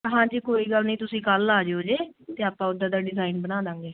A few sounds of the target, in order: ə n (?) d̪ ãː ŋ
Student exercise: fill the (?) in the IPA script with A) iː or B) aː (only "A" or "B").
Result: B